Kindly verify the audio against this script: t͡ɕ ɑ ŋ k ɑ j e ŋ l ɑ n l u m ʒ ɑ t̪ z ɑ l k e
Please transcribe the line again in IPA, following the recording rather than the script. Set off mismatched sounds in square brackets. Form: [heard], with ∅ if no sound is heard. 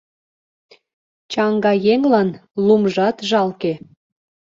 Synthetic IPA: t͡ɕ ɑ ŋ [ɡ] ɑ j e ŋ l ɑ n l u m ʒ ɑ t̪ [ʒ] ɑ l k e